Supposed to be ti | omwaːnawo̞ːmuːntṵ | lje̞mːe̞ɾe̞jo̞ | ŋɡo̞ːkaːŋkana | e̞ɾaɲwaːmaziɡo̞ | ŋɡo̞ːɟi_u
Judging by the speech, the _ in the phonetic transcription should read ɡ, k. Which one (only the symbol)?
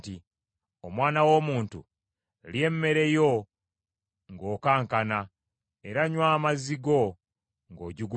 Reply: ɡ